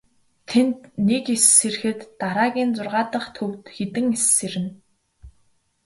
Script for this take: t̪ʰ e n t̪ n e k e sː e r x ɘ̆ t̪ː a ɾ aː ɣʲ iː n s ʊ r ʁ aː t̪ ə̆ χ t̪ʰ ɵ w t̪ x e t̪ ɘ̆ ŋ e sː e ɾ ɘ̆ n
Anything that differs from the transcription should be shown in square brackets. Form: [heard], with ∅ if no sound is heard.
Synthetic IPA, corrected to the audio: t̪ʰ e n t̪ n e k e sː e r x ɘ̆ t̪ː a ɾ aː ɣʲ iː n [t͡s] ʊ r ʁ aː t̪ ə̆ χ t̪ʰ ɵ w t̪ x e t̪ ɘ̆ ŋ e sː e ɾ ɘ̆ n

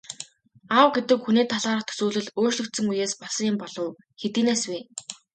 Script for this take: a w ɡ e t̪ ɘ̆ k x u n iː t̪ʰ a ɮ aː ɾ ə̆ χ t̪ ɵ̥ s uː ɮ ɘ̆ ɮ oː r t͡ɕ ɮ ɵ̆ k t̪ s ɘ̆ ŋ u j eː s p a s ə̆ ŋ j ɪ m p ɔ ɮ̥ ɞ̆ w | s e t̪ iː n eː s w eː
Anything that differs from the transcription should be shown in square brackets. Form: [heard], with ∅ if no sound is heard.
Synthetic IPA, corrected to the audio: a w ɡ e t̪ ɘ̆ k x u n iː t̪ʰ a ɮ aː ɾ ə̆ χ [t̪ʰ] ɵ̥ s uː ɮ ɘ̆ ɮ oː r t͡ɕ ɮ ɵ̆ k t̪ s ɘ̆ ŋ u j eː s p a s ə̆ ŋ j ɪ m p ɔ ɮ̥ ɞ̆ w | [x] e t̪ iː n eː s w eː

